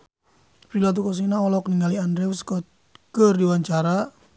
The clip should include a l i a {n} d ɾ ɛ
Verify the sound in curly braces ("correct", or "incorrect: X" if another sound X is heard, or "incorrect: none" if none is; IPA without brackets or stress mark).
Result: correct